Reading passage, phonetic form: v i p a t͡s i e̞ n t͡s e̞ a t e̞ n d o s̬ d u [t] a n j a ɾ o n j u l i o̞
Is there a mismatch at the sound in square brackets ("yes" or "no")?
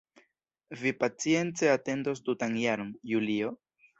no